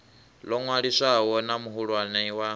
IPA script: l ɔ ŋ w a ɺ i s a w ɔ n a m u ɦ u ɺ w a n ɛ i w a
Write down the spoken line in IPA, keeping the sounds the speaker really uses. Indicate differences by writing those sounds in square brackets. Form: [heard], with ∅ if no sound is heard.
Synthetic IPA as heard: l ɔ ŋ w a ɺ i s a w ɔ n a m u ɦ u ɺ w a n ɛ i w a